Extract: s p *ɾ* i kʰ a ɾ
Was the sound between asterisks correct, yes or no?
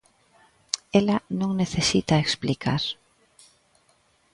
no